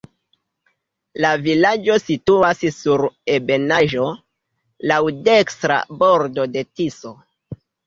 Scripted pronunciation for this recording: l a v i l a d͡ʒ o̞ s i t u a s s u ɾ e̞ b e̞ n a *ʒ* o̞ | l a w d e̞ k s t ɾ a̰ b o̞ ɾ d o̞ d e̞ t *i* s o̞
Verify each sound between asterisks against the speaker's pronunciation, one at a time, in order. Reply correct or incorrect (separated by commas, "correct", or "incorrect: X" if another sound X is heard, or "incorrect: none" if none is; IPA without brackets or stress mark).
correct, correct